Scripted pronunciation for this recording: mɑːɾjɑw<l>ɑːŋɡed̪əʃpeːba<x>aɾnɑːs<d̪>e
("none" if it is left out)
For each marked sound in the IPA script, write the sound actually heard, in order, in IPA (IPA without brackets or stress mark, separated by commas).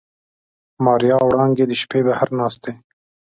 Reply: ɽ, h, t̪